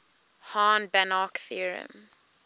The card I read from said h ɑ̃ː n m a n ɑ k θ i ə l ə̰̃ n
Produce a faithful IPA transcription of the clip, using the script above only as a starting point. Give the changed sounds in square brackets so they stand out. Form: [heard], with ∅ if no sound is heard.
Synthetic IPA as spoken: h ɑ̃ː n [b] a n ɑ k θ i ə [ɹ] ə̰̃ [m]